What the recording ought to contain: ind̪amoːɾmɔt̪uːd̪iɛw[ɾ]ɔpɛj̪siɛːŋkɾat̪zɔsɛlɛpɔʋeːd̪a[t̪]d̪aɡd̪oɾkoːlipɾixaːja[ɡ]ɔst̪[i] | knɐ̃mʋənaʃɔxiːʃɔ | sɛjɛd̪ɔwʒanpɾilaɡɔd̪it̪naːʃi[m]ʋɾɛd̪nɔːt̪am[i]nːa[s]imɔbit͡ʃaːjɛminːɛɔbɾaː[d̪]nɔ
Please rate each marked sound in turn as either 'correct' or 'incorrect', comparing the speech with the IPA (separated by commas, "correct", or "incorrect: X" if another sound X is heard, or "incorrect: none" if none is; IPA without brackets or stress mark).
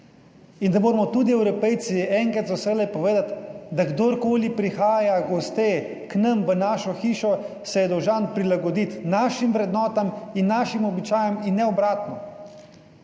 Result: correct, correct, correct, incorrect: e, correct, correct, incorrect: ʃ, incorrect: t̪